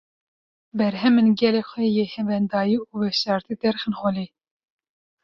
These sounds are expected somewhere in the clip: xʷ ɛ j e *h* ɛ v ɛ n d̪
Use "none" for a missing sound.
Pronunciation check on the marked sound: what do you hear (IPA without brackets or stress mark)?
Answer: h